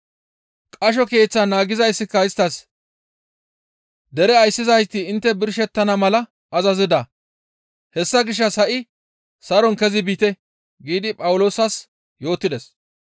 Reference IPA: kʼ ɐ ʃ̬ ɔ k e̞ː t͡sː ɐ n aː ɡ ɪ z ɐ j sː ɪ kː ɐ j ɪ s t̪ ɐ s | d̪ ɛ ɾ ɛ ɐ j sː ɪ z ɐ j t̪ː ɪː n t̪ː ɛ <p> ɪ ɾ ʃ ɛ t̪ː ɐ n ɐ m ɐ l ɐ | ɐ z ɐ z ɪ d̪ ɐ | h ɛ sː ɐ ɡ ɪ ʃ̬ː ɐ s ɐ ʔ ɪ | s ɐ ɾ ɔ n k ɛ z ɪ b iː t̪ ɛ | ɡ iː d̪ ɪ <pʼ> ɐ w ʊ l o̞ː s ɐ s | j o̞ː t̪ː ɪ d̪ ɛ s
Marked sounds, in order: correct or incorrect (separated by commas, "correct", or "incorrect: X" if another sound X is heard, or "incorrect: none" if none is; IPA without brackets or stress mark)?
incorrect: b, correct